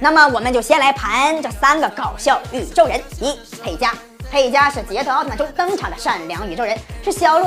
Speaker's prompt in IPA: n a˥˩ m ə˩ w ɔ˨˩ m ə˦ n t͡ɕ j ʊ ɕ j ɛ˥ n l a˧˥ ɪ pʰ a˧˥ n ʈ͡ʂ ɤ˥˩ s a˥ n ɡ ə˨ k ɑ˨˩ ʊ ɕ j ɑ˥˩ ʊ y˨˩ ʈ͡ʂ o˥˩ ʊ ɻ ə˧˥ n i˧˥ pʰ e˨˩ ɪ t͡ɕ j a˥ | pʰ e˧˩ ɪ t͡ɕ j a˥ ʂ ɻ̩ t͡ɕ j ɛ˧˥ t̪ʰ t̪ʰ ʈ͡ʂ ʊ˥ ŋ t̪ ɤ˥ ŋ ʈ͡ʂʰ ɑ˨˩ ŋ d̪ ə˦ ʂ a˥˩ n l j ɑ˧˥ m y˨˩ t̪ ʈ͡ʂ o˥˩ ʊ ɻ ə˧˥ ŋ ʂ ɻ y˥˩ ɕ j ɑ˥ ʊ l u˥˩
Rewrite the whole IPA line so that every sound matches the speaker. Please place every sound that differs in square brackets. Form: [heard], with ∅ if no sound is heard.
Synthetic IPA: n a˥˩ m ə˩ w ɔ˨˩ m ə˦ n t͡ɕ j ʊ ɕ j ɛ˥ n l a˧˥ ɪ pʰ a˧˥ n ʈ͡ʂ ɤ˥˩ s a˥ n ɡ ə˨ k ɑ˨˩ ʊ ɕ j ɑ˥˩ ʊ y˨˩ ʈ͡ʂ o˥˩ ʊ ɻ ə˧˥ n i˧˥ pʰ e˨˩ ɪ t͡ɕ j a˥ | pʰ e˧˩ ɪ t͡ɕ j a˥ ʂ ɻ̩ t͡ɕ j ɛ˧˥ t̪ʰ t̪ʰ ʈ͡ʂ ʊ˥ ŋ t̪ ɤ˥ ŋ ʈ͡ʂʰ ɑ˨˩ ŋ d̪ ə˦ ʂ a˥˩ n l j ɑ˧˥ [ŋ] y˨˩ [∅] ʈ͡ʂ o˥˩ ʊ ɻ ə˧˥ [n] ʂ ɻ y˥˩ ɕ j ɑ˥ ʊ l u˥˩